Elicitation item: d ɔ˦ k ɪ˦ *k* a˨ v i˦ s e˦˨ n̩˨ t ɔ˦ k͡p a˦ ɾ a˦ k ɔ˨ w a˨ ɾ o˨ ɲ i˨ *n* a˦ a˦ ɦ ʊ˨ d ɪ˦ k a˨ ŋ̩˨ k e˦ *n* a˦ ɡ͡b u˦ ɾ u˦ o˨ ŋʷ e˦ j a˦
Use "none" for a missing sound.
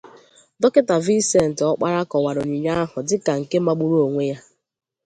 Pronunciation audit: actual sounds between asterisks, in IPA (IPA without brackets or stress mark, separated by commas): t, ɲ, m